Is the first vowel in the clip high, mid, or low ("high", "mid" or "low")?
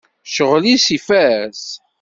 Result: mid